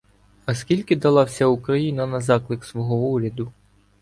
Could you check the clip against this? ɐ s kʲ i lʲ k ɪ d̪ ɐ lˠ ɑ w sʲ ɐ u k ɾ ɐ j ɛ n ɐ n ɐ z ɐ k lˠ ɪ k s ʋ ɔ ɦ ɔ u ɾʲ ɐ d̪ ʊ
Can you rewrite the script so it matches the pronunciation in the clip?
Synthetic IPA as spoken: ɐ s kʲ i lʲ k ɪ d̪ ɐ lˠ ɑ w sʲ ɐ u k ɾ ɐ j i n ɐ n ɐ z ɑ k lˠ ɪ k s ʋ ɔ ɦ ɔ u ɾʲ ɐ d̪ ʊ